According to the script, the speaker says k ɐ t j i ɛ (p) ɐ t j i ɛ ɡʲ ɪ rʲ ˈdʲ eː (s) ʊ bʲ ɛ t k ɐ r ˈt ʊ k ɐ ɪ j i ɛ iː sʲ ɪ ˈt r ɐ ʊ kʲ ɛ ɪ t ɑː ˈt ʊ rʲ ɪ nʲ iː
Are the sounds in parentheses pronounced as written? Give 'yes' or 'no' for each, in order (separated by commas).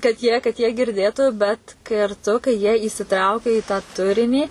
no, no